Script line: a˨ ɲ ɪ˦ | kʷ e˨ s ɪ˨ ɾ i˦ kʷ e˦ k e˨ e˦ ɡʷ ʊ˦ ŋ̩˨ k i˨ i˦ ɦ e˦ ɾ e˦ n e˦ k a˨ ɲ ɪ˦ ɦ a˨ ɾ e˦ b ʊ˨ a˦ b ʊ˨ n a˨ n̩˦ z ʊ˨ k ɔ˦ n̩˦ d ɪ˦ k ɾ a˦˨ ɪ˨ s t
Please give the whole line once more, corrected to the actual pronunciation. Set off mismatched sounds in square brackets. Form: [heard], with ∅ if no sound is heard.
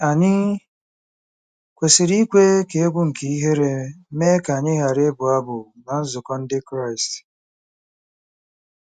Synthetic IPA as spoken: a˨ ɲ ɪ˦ | kʷ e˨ s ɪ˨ ɾ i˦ kʷ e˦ k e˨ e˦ ɡʷ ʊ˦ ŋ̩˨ k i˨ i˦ ɦ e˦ ɾ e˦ [m] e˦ k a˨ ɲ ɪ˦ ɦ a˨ ɾ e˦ b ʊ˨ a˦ b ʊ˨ n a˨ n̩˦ z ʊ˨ k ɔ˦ n̩˦ d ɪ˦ k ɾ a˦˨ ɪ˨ s t